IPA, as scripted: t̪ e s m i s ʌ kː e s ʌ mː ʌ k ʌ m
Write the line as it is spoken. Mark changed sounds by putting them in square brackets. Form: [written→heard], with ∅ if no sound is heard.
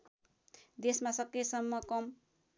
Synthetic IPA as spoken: [t̪→d̪] e s m [i→a] s ʌ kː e s ʌ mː ʌ k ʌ m